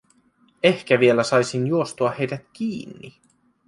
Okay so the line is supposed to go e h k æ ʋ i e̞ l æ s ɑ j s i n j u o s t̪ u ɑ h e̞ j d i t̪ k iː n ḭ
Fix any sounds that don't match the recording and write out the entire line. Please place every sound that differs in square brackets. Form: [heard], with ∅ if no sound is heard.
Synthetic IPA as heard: e h k æ ʋ i e̞ l æ s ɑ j s i n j u o s t̪ u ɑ h e̞ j d [æ] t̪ k iː [nː] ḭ